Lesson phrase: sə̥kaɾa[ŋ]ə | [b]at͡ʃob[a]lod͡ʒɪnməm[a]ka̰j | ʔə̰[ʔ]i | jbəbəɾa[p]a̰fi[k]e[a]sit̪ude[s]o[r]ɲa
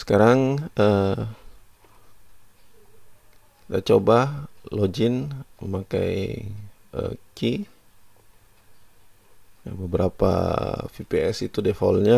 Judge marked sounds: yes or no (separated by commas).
yes, no, yes, yes, no, yes, no, no, no, no